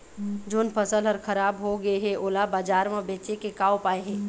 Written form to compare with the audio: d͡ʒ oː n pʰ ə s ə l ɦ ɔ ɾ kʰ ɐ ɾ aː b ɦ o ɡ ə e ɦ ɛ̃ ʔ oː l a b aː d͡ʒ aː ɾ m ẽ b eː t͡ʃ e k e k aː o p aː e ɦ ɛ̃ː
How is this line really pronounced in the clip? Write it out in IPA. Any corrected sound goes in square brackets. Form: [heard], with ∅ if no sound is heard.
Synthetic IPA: d͡ʒ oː n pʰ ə s ə l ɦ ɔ ɾ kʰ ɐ ɾ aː b ɦ o ɡ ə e ɦ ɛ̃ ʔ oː l a b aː d͡ʒ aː ɾ m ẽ b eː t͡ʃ e k e k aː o p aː e ɦ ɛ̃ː